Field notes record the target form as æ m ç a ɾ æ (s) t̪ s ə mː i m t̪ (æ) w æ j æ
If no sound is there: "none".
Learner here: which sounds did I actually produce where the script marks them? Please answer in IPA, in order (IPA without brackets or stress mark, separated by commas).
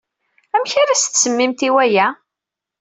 s, i